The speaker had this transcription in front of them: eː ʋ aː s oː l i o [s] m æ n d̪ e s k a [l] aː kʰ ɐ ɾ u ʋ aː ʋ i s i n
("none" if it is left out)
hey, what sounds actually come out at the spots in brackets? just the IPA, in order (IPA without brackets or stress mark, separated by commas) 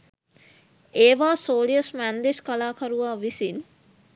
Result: s, l